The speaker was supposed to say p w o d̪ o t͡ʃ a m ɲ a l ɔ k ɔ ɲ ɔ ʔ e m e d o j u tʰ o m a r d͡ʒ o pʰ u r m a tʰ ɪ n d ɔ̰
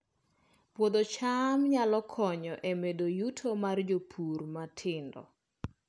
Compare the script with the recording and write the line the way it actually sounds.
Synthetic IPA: p w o d̪ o t͡ʃ a m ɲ a l ɔ kʰ ɔ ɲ ɔ ʔ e m e d o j u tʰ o m a r d͡ʒ o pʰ u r m a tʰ ɪ n d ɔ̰